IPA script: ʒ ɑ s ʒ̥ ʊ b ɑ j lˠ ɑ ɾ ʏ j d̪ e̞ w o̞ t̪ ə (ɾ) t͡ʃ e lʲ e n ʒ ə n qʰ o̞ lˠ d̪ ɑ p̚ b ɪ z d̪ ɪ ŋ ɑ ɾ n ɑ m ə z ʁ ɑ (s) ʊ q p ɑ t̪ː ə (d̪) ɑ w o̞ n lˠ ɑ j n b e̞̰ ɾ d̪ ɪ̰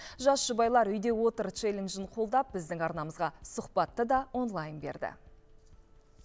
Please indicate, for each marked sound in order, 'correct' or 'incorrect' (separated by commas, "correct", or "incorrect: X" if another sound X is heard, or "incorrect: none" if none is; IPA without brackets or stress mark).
correct, correct, correct